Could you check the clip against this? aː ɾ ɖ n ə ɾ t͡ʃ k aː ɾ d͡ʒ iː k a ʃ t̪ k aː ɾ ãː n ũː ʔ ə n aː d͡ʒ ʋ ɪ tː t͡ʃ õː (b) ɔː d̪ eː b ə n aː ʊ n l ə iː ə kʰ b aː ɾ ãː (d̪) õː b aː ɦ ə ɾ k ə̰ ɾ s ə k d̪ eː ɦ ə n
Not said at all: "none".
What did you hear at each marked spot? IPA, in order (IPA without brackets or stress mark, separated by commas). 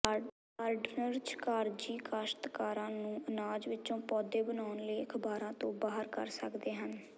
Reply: p, t̪